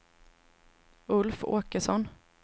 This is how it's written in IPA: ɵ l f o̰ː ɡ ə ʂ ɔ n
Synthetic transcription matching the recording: ɵ l f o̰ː k ə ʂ ɔ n